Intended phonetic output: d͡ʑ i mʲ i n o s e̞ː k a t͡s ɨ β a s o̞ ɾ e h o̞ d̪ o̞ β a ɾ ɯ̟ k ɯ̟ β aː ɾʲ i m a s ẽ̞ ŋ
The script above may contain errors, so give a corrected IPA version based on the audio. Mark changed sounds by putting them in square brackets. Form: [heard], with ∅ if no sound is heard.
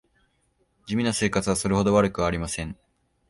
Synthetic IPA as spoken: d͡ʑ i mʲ i n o s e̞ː k a t͡s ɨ β a s o̞ ɾ e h o̞ d̪ o̞ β a ɾ ɯ̟ k ɯ̟ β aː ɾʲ i m a s ẽ̞ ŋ